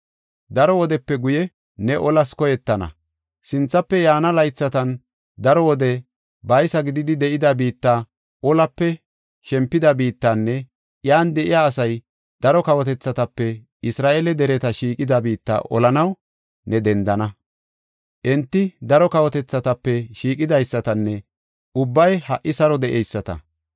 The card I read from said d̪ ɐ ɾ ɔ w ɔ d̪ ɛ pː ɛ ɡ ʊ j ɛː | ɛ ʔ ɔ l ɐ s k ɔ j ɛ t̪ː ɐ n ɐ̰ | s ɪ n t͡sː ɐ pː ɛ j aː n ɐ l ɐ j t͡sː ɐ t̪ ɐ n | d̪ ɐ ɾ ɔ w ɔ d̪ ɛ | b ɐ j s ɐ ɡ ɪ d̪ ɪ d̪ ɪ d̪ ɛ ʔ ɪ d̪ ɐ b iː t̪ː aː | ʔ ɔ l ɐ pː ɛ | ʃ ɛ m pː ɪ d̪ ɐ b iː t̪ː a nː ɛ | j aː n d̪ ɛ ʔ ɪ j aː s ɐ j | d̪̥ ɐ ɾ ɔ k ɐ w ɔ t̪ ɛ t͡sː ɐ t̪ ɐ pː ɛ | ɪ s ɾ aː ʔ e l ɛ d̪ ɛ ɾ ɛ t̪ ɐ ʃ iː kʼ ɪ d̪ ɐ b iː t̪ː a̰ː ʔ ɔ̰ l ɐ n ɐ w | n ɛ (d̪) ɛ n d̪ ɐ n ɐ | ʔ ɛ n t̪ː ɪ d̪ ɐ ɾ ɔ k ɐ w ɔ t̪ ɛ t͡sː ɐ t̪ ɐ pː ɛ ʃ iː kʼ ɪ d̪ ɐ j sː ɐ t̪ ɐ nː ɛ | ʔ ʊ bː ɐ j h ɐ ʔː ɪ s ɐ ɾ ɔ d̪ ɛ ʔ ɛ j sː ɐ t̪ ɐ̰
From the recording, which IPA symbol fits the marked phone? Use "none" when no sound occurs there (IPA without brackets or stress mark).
d̪